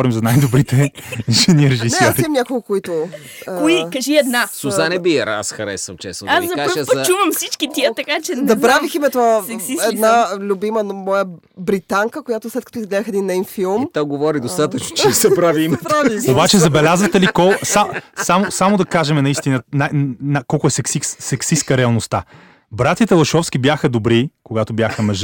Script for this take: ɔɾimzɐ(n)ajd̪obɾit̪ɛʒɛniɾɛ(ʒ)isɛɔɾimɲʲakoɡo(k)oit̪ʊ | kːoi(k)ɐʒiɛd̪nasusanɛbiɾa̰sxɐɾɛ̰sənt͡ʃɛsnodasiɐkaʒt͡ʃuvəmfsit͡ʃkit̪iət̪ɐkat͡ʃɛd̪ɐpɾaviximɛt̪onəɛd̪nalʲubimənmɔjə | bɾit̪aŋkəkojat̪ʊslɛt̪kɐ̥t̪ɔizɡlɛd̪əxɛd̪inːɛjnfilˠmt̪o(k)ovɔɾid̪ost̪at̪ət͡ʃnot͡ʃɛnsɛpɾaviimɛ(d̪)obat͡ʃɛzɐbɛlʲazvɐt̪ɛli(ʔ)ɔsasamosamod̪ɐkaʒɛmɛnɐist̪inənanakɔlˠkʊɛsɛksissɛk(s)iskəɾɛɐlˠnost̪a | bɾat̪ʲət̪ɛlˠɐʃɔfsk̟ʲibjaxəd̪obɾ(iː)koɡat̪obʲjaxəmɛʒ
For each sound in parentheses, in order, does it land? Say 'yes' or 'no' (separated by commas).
yes, yes, yes, yes, no, no, no, yes, no